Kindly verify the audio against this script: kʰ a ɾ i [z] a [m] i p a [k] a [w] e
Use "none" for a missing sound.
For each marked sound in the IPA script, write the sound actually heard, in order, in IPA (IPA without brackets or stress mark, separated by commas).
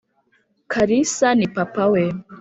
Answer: s, n, p, w